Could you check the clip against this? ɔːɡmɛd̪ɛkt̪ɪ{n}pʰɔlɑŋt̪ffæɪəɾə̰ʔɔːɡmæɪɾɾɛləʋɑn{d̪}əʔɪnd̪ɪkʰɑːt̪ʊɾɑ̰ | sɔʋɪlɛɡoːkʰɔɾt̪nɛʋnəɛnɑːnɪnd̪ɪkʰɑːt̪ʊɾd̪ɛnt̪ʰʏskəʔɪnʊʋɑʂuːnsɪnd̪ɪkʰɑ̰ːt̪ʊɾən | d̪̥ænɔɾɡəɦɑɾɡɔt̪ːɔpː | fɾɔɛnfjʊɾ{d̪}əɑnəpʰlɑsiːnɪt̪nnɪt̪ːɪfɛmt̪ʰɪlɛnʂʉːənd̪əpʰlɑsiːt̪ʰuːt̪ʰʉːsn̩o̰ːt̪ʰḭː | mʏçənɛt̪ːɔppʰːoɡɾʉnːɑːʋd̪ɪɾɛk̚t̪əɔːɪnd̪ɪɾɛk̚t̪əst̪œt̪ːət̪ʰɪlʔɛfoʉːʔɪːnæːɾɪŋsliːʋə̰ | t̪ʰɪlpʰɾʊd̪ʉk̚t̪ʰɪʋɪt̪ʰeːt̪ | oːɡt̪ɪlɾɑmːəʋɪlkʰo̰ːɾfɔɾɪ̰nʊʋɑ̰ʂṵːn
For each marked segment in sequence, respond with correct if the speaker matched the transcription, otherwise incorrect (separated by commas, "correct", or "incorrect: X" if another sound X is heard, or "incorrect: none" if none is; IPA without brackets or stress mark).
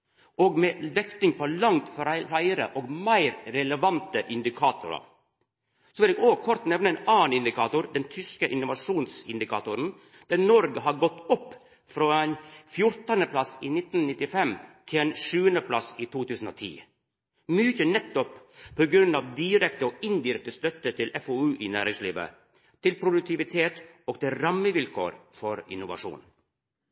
incorrect: ŋ, incorrect: t̪, incorrect: t̪